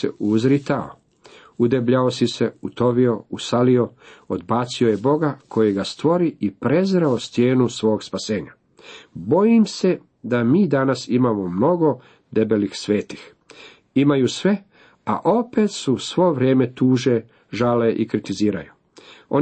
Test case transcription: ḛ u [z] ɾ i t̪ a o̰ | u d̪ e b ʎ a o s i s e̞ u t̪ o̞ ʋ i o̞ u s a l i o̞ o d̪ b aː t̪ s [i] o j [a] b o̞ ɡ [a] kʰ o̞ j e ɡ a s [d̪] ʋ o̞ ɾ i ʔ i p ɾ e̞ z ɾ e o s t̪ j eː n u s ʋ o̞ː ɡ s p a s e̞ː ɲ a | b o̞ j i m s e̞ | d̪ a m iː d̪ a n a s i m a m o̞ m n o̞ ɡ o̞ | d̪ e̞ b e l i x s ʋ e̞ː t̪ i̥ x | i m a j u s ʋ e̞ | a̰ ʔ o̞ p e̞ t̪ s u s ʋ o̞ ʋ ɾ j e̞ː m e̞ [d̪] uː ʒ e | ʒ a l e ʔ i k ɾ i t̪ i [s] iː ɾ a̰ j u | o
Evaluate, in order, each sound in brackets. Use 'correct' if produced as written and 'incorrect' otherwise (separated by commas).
correct, correct, incorrect, correct, incorrect, incorrect, incorrect